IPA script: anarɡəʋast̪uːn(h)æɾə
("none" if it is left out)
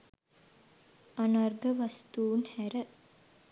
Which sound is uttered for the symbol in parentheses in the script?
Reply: h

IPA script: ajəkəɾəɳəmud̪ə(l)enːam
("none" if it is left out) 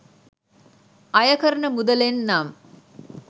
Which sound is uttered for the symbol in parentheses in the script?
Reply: l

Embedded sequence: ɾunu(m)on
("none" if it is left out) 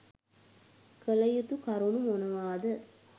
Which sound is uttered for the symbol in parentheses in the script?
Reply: m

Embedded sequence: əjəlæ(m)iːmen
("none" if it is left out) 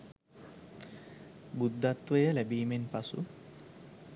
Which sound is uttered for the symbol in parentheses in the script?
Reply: b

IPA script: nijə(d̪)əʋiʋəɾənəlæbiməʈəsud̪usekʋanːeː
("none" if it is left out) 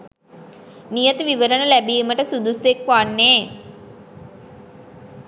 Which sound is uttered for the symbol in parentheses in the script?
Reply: t̪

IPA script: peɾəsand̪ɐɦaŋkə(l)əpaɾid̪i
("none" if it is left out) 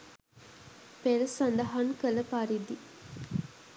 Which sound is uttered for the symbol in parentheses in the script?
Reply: l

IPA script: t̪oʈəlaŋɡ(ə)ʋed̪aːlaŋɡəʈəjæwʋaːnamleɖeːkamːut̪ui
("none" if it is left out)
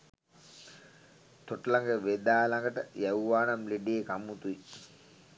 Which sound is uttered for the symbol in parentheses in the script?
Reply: ə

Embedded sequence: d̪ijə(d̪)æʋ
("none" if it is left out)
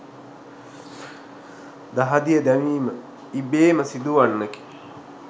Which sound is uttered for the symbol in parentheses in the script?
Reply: d̪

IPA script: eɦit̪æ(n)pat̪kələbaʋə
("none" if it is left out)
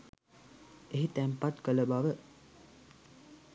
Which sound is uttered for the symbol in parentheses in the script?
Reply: m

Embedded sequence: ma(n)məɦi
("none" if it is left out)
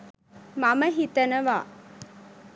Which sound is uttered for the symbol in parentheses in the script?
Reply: none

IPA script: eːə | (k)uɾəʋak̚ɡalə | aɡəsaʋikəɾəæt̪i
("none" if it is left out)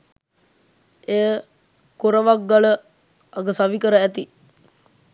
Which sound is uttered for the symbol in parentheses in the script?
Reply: k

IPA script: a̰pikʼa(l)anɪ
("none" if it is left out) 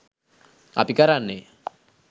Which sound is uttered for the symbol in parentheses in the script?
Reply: ɾ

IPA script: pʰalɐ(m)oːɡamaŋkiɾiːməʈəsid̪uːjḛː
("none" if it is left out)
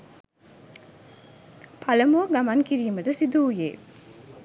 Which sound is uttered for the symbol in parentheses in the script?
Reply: m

